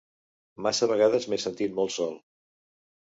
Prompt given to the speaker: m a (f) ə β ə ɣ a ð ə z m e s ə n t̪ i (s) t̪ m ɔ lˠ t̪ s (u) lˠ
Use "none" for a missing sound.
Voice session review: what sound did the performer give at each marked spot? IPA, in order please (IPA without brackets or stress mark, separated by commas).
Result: s, none, ɔ